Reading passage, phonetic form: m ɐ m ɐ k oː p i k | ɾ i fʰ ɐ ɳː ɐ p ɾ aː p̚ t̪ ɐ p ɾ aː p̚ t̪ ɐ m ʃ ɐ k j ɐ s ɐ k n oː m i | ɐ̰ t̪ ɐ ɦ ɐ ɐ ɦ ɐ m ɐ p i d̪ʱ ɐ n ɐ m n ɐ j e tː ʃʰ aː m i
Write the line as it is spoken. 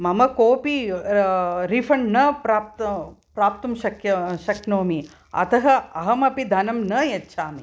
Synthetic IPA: m ɐ m ɐ k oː p i | ɾ i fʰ ɐ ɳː ɐ p ɾ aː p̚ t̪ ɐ p ɾ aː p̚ t̪ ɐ m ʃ ɐ k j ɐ ʃ ɐ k n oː m i | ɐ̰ t̪ ɐ ɦ ɐ ɐ ɦ ɐ m ɐ p i d̪ʱ ɐ n ɐ m n ɐ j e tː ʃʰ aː m i